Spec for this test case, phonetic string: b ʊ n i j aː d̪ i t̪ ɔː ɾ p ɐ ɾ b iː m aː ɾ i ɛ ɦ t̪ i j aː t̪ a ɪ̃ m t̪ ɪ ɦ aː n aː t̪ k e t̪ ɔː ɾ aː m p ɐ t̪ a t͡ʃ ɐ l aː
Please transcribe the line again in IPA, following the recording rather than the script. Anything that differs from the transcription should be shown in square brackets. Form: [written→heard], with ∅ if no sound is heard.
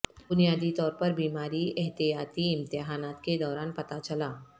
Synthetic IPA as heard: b ʊ n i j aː d̪ i t̪ ɔː ɾ p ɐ ɾ b iː m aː ɾ i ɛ ɦ t̪ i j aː t̪ [a→i] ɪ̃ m t̪ ɪ ɦ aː n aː t̪ k e [t̪→d̪] ɔː ɾ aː [m→n] p ɐ t̪ a t͡ʃ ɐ l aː